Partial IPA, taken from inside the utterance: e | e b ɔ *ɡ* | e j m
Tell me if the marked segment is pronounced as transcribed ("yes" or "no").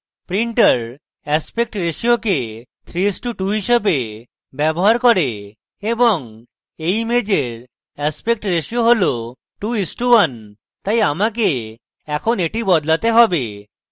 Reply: no